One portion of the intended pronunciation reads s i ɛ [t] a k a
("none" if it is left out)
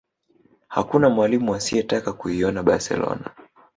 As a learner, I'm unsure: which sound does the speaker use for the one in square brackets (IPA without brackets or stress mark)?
t